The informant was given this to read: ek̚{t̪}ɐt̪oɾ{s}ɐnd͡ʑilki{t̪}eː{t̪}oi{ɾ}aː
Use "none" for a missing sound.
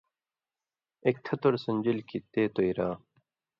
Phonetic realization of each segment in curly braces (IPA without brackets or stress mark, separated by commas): t̪ʰ, s, t̪, t̪, ɾ